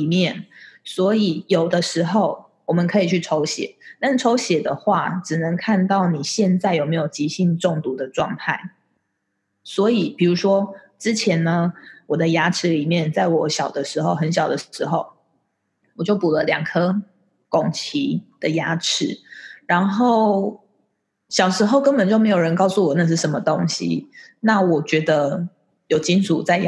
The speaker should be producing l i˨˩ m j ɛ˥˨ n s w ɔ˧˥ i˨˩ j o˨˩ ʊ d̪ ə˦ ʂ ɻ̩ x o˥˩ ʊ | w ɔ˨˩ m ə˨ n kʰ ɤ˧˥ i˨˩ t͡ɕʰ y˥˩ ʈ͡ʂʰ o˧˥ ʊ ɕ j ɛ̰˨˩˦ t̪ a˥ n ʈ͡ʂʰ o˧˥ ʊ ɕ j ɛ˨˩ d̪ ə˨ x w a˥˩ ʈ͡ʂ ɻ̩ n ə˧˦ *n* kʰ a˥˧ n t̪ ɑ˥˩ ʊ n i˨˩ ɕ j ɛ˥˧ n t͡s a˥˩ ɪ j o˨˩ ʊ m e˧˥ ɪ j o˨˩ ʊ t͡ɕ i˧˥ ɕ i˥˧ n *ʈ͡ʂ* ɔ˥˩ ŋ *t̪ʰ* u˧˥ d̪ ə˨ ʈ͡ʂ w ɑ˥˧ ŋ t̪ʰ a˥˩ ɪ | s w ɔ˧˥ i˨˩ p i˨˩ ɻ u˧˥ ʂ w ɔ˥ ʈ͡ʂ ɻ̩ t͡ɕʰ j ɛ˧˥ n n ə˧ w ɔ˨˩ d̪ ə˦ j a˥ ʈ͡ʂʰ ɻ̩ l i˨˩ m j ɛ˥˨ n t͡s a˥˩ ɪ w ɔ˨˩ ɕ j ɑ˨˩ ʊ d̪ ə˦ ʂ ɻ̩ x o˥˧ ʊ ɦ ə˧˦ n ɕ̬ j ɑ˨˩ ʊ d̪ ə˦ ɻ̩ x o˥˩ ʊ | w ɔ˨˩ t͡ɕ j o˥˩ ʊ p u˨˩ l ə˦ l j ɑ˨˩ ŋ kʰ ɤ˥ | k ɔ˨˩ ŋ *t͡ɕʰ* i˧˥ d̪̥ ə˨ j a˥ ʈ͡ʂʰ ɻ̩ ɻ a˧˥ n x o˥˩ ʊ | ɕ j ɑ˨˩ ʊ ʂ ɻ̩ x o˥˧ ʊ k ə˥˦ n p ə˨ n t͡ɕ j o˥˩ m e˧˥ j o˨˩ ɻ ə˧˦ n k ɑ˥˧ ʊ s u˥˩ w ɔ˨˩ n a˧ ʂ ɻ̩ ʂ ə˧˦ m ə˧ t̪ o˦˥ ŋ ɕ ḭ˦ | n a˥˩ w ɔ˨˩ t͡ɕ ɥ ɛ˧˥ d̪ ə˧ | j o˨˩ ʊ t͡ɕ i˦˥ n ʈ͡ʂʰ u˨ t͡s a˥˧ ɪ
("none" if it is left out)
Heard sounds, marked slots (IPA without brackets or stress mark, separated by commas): ŋ, ʈ͡ʂ, t̪, t͡ɕʰ